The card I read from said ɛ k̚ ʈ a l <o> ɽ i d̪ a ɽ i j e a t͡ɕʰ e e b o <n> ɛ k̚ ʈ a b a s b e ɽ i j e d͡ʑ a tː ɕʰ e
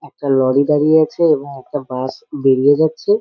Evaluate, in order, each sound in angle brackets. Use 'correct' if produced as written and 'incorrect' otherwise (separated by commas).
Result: incorrect, incorrect